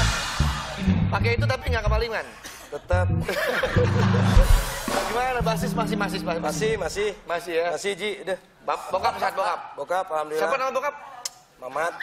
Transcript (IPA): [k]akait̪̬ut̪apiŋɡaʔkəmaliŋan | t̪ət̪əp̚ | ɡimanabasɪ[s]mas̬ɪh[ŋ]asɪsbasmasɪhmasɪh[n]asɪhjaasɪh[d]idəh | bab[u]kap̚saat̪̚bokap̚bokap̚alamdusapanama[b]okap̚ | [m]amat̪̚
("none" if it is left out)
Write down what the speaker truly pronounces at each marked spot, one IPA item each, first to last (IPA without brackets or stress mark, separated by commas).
p, s, m, m, d͡ʒ, o, b, m